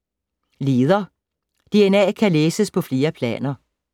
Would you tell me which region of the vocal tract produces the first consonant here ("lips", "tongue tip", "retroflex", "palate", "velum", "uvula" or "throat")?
tongue tip